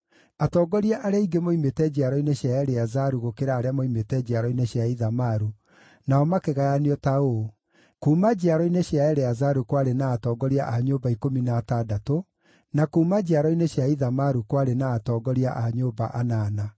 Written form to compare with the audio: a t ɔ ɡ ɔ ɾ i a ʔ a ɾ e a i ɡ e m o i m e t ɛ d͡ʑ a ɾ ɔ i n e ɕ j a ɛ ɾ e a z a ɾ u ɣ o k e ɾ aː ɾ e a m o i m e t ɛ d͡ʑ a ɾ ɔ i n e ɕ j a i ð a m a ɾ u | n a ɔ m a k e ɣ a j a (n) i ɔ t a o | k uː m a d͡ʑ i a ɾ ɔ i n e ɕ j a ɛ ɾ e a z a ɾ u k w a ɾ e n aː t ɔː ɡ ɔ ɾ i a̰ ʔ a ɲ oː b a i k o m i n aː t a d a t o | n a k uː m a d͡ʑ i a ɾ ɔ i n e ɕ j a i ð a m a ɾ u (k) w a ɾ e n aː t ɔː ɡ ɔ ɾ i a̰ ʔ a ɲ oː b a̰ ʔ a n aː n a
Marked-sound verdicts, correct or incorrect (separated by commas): correct, correct